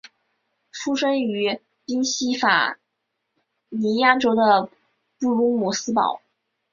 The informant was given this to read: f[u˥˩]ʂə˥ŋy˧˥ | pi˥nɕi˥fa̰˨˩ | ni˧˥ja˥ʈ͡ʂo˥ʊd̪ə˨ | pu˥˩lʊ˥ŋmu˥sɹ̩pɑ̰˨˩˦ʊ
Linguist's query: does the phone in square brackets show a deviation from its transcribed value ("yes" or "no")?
yes